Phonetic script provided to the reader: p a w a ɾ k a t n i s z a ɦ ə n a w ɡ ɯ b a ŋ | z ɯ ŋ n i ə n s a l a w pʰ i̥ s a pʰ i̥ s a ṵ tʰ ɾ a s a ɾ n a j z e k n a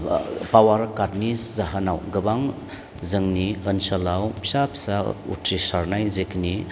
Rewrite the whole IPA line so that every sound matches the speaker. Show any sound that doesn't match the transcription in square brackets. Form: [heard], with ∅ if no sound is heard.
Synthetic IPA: p a w a ɾ k a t n i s z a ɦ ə n a w ɡ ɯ b a ŋ | z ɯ ŋ n i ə n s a l a w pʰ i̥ s a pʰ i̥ s a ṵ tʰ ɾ [i] s a ɾ n a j z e k n [i]